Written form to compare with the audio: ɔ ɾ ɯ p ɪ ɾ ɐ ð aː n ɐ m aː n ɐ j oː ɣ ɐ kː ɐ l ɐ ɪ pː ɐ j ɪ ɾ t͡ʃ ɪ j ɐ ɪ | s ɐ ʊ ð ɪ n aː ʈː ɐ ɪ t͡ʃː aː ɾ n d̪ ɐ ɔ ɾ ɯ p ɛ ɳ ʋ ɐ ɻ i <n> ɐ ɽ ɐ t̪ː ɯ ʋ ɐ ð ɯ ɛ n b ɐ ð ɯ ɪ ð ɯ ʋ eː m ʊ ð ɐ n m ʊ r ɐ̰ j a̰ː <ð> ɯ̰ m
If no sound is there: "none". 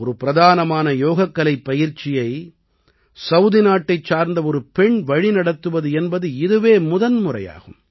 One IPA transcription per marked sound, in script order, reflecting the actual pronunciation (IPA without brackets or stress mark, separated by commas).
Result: n, ɣ